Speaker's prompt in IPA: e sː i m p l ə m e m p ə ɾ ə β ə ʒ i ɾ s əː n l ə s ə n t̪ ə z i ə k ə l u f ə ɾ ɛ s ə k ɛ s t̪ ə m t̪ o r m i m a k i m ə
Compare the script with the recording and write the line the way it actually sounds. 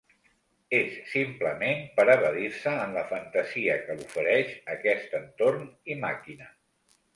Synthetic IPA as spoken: e sː i m p l ə m e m p ə ɾ ə β ə ð i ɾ s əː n l ə f ə n t̪ ə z i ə k ə l u f ə ɾ ɛ ʃ ə k ɛ s t̪ ə n t̪ o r n i m a k i n ə